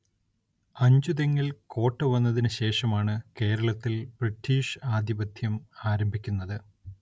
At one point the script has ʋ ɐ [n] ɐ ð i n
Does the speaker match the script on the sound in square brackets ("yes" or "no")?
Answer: no